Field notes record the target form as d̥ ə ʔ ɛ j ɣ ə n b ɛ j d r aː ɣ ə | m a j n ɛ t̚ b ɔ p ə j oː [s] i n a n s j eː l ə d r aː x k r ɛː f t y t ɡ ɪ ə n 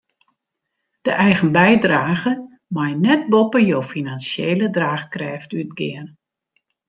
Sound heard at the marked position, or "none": f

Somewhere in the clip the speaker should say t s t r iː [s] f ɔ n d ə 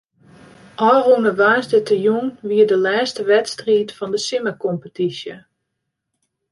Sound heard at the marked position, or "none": t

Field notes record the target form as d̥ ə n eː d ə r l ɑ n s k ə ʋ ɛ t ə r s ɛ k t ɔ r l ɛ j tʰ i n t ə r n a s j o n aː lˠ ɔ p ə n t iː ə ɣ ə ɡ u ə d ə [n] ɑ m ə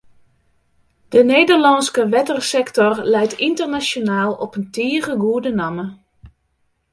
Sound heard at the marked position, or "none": n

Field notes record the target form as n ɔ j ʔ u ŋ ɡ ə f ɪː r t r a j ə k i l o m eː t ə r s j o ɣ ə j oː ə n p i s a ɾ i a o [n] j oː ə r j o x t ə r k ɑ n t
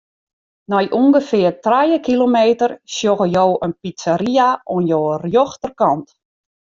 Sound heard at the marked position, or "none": n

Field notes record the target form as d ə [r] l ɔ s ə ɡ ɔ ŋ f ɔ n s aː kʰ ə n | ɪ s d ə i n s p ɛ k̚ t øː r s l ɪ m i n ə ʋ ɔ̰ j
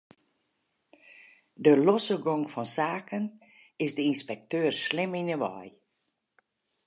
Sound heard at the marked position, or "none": none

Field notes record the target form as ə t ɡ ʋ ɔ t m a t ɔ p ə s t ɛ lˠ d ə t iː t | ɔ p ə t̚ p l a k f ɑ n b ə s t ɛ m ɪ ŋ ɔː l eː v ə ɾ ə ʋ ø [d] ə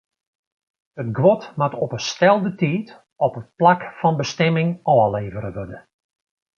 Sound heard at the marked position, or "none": d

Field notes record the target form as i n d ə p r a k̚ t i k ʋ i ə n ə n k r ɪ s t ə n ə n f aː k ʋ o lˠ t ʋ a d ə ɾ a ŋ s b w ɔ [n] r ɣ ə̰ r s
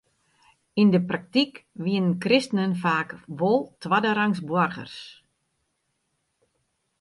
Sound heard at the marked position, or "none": none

